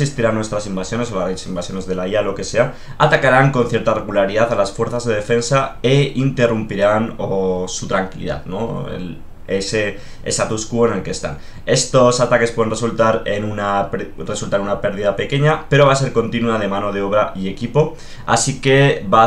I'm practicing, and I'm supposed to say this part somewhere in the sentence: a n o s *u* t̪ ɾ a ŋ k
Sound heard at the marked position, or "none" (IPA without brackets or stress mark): u